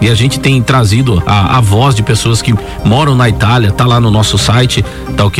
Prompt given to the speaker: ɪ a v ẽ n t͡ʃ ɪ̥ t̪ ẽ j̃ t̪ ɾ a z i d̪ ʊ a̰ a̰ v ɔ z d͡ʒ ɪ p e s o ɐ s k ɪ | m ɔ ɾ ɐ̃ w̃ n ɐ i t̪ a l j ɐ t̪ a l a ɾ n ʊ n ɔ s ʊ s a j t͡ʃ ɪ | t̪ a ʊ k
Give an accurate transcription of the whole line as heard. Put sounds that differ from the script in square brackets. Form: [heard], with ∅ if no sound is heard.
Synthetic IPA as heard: ɪ a [ʒ] ẽ n t͡ʃ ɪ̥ t̪ ẽ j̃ t̪ ɾ a z i d̪ ʊ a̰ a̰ v ɔ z d͡ʒ ɪ p e s o ɐ s k ɪ | m ɔ ɾ ɐ̃ w̃ n ɐ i t̪ a l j ɐ t̪ a l a [∅] n ʊ n ɔ s ʊ s a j t͡ʃ ɪ | t̪ a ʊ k